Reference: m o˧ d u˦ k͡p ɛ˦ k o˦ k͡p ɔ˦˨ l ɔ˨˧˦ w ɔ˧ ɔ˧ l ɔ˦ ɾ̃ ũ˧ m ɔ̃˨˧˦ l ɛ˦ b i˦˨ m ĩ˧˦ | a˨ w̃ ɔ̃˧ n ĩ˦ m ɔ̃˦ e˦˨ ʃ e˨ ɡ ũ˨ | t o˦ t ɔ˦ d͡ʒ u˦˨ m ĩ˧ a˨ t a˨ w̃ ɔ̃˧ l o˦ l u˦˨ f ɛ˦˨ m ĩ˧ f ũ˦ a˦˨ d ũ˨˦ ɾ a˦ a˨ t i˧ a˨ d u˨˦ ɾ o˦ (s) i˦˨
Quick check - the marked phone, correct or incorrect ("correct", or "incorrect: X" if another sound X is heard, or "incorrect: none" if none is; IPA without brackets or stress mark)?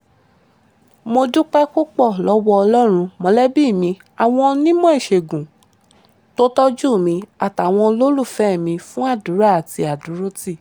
incorrect: t